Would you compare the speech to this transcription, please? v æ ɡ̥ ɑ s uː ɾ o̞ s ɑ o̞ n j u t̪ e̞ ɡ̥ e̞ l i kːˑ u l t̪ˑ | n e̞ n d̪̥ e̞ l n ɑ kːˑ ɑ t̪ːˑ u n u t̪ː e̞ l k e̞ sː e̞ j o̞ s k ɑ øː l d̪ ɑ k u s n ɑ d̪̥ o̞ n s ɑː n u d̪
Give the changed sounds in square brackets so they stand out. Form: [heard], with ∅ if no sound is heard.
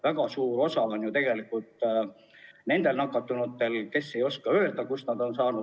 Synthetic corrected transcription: v æ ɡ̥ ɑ s uː ɾ o̞ s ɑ o̞ n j u t̪ e̞ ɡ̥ e̞ l i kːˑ u l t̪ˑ | n e̞ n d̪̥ e̞ l n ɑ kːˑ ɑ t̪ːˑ u n u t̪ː e̞ l k e̞ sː e̞ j o̞ s k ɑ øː l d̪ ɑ k u s n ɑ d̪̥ o̞ n s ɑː n u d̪